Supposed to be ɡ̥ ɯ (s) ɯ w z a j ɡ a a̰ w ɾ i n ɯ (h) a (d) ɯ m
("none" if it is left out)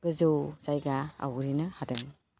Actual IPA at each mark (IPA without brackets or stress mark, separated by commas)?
z, h, d